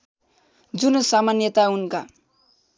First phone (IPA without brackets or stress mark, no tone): d͡z